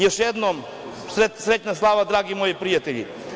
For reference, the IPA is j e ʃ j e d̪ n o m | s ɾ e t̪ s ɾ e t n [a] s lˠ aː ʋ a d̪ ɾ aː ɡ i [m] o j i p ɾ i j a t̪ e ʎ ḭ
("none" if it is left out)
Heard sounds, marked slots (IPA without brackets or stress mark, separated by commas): a, m